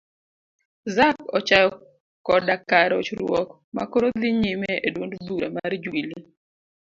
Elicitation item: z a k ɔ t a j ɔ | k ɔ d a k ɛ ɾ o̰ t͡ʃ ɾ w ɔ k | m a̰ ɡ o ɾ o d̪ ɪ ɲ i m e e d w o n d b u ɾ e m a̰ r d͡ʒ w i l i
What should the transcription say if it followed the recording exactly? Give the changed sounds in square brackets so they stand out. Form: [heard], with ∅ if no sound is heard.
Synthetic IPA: z a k ɔ [t͡ʃ] a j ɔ | k ɔ d a k [a] ɾ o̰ t͡ʃ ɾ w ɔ k | m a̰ [k] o ɾ o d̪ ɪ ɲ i m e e d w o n d b u ɾ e m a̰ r d͡ʒ w i l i